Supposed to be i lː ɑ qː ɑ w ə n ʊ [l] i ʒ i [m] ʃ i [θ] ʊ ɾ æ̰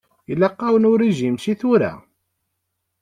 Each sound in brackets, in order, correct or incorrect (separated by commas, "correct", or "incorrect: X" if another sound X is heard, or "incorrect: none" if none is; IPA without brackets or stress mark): incorrect: ɾ, correct, correct